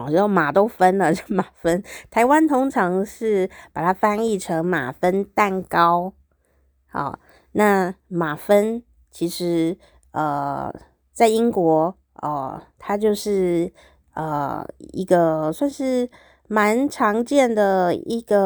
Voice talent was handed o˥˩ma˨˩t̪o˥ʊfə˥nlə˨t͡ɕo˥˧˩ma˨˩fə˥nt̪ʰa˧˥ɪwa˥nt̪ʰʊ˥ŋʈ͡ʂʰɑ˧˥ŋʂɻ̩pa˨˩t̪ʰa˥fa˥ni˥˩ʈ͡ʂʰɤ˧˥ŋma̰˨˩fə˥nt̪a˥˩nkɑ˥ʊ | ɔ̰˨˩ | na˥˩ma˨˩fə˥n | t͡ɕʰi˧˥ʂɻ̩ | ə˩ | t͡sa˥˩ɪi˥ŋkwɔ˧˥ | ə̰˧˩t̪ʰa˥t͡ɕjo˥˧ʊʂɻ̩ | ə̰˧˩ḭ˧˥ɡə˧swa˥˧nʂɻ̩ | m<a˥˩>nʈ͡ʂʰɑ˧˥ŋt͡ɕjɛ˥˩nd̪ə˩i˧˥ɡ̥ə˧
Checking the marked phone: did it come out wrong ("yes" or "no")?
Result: yes